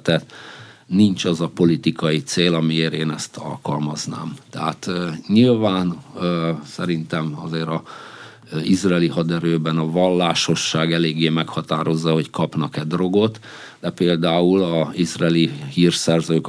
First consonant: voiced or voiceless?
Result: voiceless